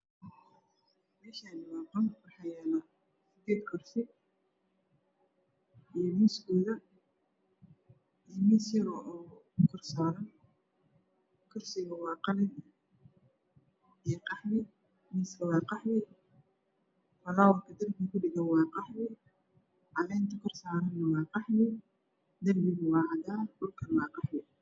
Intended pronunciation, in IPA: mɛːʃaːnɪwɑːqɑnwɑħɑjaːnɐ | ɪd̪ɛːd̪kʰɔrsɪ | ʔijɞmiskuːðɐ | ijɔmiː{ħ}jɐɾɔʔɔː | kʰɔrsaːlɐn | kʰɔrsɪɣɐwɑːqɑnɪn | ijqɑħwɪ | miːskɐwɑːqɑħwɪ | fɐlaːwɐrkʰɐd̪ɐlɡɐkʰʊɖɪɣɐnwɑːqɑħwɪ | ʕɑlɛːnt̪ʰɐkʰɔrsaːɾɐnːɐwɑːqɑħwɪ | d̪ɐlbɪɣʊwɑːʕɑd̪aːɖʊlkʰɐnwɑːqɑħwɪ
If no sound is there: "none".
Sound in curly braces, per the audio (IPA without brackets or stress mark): s